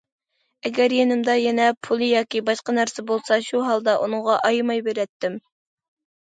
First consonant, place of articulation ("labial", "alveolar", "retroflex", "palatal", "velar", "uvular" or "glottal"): velar